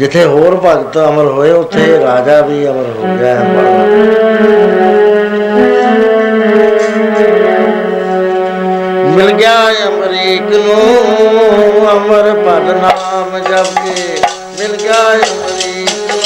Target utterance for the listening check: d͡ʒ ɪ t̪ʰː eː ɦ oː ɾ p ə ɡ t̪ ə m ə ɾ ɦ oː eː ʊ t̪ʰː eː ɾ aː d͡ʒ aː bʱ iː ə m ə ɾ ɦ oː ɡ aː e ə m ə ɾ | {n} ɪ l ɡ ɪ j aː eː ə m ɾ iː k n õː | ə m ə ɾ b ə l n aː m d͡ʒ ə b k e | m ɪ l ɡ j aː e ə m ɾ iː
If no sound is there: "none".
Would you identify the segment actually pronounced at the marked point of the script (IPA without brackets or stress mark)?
m